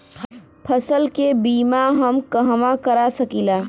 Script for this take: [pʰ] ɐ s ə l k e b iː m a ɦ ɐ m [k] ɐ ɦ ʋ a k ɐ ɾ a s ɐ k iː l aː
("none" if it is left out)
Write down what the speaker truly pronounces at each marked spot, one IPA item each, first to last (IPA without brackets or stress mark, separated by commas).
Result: pʰ, k